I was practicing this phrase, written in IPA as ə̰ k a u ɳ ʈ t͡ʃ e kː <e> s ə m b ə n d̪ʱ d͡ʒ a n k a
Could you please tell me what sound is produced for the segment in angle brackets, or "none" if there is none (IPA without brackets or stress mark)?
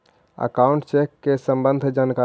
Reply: e